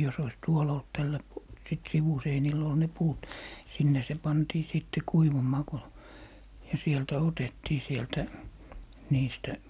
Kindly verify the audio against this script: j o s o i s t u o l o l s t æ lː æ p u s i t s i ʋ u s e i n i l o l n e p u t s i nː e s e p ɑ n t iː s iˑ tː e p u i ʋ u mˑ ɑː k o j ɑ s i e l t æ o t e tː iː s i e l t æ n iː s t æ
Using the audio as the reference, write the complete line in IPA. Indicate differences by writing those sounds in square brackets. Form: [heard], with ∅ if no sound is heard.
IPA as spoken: j o s o i s t u o l o l [t] t æ lː æ p u s i t s i ʋ u s e i n i l o l n e p [uː] t s i nː e s e p ɑ n t iː s iˑ tː e [k] u i ʋ u mˑ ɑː k o j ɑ s i e l t æ o t e tː iː s i e l t æ n iː s t æ